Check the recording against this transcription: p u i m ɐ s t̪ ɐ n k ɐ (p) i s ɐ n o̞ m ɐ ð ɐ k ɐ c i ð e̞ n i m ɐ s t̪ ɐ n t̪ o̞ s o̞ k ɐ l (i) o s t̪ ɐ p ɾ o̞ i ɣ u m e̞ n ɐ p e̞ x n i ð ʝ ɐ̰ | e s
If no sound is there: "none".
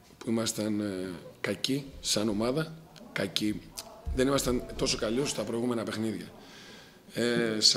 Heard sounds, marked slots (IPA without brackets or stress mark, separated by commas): c, i